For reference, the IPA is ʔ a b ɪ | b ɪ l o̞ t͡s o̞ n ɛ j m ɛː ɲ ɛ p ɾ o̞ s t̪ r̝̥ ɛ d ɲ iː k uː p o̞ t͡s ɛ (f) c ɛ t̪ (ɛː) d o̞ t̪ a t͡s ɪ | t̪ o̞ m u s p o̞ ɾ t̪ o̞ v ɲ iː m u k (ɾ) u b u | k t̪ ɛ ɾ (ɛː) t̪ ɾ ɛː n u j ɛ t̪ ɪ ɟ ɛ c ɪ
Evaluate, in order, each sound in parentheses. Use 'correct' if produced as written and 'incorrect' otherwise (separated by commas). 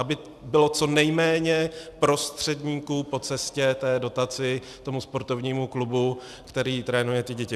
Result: incorrect, correct, incorrect, incorrect